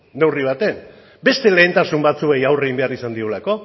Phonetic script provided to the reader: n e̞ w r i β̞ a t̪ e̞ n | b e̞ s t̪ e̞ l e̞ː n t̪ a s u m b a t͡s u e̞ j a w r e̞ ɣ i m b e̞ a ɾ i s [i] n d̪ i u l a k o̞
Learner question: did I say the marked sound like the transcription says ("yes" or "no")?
no